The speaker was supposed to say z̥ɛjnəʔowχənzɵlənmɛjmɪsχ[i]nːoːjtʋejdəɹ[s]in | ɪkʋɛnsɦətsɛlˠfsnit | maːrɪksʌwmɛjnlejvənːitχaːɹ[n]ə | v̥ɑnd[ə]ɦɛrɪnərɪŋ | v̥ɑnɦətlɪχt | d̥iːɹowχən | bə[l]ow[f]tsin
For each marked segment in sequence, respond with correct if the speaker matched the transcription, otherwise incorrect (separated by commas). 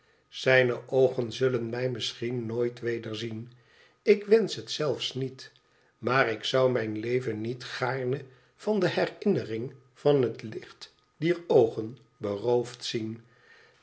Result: correct, incorrect, correct, correct, incorrect, correct